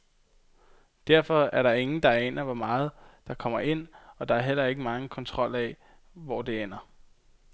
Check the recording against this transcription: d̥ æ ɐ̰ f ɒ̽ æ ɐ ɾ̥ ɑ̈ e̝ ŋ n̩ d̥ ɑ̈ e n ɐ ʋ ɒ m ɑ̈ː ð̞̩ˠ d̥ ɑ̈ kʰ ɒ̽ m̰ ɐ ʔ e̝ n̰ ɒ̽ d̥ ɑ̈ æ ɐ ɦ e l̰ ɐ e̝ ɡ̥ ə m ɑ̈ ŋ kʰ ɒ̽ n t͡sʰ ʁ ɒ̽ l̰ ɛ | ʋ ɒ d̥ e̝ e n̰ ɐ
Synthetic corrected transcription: d̥ æ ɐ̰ f ɒ̽ æ ɐ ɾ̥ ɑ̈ e̝ ŋ n̩ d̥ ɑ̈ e n ɐ ʋ ɒ m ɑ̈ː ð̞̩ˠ d̥ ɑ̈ kʰ ɒ̽ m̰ ɐ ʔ e̝ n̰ ɒ̽ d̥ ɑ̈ æ ɐ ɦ e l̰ ɐ e̝ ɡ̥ ə m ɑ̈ ŋ kʰ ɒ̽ n t͡sʰ ʁ ɒ̽ l̰ ɛ | ʋ ɒ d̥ e̝ e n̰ ɐ